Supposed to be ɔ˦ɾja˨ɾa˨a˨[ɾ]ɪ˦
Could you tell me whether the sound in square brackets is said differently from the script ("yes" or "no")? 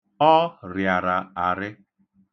no